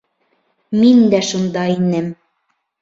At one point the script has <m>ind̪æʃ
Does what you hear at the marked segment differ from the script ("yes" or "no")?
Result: no